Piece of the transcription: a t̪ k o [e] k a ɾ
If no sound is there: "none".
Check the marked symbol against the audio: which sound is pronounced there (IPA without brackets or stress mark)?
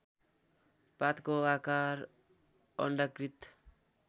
a